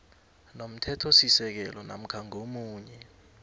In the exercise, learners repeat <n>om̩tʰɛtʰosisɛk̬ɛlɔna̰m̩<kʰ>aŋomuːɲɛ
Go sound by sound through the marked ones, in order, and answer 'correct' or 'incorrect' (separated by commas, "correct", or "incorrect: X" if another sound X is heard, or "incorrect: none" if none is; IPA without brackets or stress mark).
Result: correct, correct